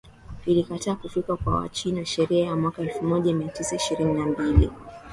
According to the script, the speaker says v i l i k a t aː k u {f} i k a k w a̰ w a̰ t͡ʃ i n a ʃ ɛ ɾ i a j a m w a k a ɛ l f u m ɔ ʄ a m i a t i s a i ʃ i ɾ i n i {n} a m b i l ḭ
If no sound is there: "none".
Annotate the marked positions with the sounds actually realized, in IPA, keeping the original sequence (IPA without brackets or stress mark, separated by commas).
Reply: f, n